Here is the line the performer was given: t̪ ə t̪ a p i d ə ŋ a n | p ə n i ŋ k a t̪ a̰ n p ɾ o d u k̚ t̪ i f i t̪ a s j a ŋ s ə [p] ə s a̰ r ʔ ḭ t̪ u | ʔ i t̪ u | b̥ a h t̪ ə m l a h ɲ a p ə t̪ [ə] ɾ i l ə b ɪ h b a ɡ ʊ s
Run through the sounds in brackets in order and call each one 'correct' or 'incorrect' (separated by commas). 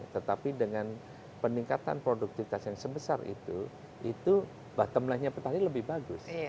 incorrect, incorrect